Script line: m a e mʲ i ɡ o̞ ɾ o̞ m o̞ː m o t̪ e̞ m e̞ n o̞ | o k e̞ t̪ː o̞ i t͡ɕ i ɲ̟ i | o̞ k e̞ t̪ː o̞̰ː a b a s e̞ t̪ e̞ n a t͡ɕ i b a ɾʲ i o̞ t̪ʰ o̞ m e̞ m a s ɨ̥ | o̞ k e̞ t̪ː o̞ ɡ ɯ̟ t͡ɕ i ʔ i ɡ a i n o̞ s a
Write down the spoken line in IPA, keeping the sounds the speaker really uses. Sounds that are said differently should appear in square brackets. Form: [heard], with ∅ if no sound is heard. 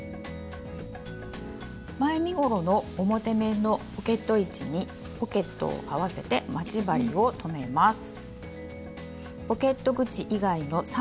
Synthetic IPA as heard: m a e mʲ i ɡ o̞ ɾ o̞ [n] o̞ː m o t̪ e̞ m e̞ n o̞ | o k e̞ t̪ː o̞ i t͡ɕ i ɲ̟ i | o̞ k e̞ t̪ː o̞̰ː a [β] a s e̞ t̪ e̞ [m] a t͡ɕ i b a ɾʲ i o̞ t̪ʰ o̞ m e̞ m a s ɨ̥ | o̞ k e̞ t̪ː o̞ ɡ ɯ̟ t͡ɕ i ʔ i ɡ a i n o̞ s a